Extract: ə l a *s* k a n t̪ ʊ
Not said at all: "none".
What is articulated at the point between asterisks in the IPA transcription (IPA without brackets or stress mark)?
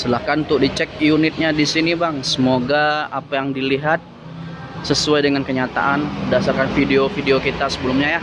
h